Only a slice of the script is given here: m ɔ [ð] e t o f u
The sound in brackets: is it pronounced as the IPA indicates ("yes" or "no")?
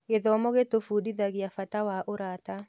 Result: no